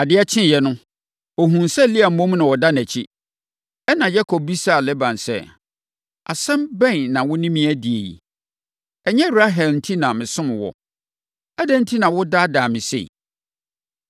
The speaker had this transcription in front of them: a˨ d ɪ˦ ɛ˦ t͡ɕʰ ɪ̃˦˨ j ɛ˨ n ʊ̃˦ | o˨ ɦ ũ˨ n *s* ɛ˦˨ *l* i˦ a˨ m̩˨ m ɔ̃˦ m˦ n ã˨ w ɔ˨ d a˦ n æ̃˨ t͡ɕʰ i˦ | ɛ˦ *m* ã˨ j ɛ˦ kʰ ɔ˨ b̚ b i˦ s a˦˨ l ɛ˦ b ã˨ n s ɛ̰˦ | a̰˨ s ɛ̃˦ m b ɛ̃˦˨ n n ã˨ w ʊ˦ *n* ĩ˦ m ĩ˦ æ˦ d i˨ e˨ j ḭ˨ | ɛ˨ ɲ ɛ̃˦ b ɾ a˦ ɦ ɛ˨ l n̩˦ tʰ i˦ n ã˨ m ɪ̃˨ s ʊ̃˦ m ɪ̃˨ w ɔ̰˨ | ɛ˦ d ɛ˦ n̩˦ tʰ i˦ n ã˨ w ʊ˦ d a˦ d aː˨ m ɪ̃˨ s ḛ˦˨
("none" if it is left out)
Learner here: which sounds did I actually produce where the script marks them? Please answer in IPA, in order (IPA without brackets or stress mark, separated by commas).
s, l, n, n